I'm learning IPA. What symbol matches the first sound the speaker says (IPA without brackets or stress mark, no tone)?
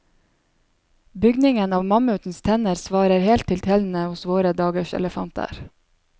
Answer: b